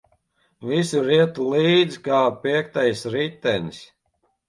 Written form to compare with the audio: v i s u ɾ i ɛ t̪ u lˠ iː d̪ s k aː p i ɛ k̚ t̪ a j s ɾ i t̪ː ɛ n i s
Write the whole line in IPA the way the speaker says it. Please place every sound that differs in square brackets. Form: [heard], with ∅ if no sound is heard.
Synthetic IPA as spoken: v i s u ɾ i ɛ t̪ u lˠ iː d̪ [z] k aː p i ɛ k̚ t̪ a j s ɾ i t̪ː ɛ n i s